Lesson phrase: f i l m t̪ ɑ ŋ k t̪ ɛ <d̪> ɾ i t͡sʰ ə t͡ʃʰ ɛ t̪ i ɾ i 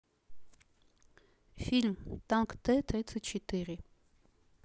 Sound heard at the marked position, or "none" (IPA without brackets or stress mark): t̪